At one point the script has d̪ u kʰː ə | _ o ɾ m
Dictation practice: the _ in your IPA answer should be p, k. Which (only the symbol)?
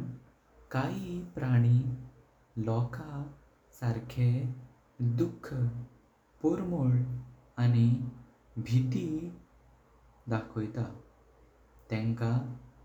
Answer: p